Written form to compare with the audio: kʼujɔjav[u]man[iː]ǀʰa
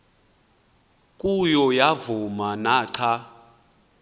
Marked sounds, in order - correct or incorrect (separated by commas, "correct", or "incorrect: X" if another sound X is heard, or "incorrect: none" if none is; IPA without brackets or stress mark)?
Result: correct, incorrect: aː